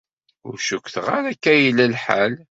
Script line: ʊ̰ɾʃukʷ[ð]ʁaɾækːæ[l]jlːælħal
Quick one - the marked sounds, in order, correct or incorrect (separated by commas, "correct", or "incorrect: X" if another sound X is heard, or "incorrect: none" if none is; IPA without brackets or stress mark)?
incorrect: θ, incorrect: none